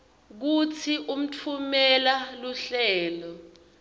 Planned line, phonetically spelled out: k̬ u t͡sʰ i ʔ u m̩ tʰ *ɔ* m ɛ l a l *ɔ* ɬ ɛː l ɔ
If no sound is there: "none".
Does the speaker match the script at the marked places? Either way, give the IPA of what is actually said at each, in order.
u, u

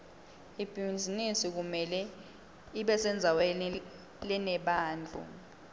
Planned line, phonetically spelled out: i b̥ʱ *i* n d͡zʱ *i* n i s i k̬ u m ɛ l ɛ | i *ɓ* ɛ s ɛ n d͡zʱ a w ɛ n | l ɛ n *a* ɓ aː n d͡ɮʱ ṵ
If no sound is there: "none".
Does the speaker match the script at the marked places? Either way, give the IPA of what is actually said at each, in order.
i, i, ɓ, ɛ

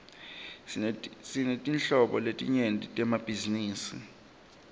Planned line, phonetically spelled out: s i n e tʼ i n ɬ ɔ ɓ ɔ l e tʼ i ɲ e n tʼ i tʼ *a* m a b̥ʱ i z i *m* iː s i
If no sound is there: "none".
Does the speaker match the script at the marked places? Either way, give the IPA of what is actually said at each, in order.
ɛ, n

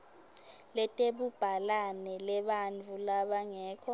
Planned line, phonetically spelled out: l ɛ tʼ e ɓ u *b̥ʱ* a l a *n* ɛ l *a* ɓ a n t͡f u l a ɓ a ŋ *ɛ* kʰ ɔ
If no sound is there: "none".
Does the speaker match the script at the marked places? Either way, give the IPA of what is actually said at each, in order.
b̥ʱ, n, ɛ, ɛː

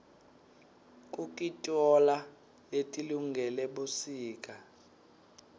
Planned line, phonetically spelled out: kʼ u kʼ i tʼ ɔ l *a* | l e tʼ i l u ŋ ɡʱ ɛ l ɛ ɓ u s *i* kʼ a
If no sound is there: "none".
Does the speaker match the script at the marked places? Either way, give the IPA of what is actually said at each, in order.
a, iː

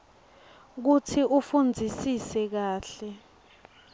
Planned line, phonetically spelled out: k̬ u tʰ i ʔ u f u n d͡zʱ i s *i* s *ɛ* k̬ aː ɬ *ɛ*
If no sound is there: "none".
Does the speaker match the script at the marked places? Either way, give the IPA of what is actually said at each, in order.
i, ɛ, ɛ

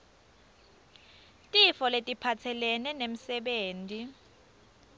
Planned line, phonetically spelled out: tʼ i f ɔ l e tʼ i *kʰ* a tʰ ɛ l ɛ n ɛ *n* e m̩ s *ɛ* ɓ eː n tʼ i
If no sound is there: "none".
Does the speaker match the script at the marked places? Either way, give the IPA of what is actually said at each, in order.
pʰ, n, ɛ

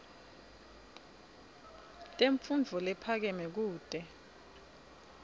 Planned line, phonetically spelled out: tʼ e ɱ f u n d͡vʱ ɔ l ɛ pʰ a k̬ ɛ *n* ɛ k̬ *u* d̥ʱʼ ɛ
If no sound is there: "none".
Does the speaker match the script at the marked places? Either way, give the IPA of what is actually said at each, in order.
m, uː

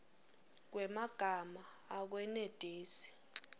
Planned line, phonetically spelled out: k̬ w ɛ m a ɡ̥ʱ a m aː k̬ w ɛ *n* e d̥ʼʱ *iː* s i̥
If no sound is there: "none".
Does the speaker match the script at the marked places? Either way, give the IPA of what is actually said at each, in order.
n, iː

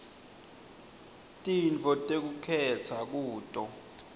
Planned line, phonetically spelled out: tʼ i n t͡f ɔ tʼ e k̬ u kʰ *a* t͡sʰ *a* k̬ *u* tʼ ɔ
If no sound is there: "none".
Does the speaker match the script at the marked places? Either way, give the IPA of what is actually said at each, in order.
ɛ, a, uː

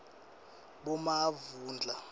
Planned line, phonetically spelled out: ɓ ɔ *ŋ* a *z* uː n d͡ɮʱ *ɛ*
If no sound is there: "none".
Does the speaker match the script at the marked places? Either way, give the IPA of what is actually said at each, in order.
m, v, a

